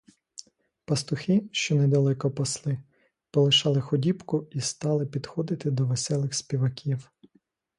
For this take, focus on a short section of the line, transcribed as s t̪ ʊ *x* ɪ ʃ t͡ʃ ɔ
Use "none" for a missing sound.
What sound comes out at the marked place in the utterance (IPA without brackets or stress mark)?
x